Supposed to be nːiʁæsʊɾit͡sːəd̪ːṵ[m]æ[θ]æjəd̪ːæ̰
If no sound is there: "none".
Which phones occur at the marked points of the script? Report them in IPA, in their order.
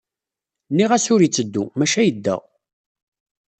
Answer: m, ʃ

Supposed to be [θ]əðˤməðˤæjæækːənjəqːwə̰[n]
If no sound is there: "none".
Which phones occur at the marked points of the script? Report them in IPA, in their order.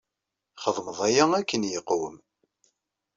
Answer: χ, m

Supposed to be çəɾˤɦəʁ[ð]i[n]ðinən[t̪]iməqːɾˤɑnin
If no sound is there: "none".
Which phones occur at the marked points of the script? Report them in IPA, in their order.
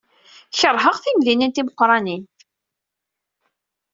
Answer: θ, m, t̪

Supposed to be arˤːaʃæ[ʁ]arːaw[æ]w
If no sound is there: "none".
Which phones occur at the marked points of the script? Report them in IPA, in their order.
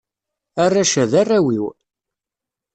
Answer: ð, i

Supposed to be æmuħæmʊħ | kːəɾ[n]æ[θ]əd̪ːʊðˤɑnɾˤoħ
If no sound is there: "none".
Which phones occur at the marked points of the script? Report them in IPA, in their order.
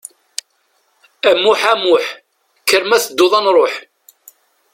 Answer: m, θ

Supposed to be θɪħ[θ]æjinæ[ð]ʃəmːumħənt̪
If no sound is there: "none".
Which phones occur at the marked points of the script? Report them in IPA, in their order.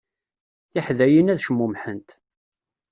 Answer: ð, ð

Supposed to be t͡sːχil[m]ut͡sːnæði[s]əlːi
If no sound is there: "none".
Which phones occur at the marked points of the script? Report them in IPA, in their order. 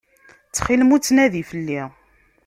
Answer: m, f

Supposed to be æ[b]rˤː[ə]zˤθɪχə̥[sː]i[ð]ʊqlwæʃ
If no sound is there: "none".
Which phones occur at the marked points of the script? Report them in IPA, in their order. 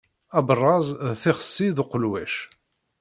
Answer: b, ɑ, sː, ð

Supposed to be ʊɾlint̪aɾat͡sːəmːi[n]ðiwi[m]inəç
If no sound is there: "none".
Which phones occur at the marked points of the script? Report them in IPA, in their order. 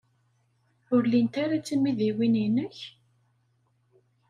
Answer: none, n

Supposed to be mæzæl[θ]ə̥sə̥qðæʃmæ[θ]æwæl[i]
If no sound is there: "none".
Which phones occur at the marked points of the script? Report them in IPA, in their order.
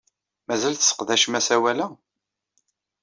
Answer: θ, s, æ

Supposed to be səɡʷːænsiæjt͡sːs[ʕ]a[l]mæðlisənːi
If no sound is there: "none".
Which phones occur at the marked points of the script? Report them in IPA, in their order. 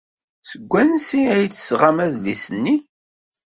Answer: ʁ, none

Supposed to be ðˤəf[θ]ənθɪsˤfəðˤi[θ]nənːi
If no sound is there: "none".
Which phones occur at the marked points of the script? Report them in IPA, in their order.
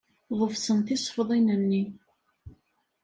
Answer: s, none

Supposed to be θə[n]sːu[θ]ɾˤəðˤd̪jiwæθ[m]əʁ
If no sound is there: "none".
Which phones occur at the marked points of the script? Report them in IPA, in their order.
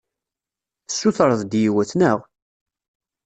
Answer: none, θ, n

